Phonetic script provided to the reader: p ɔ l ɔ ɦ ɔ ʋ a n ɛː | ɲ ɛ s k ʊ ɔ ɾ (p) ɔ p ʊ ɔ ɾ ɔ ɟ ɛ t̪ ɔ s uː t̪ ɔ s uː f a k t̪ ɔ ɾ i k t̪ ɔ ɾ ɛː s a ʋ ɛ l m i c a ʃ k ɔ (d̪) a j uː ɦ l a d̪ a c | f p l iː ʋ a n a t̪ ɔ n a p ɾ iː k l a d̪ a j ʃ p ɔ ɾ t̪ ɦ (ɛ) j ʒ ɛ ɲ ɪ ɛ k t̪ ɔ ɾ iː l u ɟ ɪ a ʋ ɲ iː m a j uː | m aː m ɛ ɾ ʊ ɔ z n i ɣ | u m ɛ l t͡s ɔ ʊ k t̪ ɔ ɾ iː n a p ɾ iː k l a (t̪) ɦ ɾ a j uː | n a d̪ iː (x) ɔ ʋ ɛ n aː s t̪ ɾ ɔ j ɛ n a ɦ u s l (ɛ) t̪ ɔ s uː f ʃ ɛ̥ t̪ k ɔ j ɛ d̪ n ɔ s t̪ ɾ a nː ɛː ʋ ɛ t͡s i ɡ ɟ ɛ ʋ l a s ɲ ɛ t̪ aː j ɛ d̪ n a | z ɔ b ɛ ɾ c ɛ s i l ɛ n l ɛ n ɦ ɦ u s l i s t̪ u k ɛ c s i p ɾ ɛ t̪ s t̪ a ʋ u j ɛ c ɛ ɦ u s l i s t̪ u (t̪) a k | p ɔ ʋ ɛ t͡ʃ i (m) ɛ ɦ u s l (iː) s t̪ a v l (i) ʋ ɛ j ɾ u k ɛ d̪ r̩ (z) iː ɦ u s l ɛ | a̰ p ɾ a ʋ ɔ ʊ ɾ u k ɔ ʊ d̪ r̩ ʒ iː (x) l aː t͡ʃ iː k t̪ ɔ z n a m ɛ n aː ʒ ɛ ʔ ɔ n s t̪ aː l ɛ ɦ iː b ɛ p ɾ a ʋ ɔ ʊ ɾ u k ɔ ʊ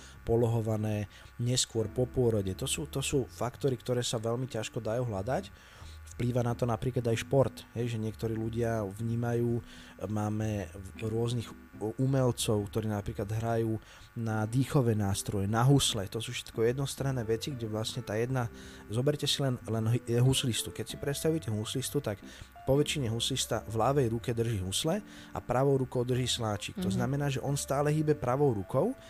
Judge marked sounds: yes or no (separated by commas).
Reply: yes, yes, yes, no, yes, yes, yes, no, no, no, no, no